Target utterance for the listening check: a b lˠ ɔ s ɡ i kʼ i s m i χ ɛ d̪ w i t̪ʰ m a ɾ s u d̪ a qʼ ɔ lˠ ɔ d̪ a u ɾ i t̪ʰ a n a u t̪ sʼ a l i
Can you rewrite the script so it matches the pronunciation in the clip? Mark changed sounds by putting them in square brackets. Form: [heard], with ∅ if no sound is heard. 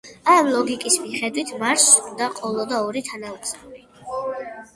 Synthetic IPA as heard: a [m] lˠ ɔ [∅] ɡ i kʼ i s m i χ ɛ d̪ w i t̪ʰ m a ɾ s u d̪ a qʼ ɔ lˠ ɔ d̪ a [ɔ] ɾ i t̪ʰ a n a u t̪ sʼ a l i